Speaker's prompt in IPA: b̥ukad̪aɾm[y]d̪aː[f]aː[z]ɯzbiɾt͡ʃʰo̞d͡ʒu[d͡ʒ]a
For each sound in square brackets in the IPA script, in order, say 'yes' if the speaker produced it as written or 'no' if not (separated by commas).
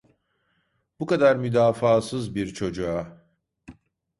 yes, yes, no, no